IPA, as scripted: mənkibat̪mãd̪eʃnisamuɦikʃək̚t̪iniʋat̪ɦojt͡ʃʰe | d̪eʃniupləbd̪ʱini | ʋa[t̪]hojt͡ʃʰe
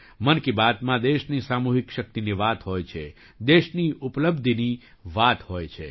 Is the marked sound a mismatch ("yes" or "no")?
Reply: no